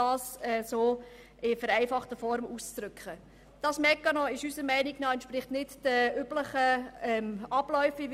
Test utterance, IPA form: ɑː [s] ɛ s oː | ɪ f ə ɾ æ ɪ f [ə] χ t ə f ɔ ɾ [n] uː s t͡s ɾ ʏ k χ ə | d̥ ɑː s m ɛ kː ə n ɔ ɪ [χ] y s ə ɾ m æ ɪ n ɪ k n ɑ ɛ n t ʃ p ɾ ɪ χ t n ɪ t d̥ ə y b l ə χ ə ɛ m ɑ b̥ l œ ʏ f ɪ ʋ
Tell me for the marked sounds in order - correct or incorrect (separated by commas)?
correct, incorrect, incorrect, incorrect